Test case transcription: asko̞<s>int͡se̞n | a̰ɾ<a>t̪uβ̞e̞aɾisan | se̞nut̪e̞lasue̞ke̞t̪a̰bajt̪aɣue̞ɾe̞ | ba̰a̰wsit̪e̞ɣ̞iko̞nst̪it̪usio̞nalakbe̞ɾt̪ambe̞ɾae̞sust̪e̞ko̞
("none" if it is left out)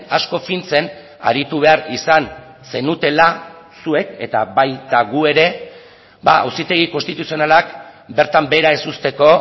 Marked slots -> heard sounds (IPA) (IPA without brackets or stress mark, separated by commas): f, i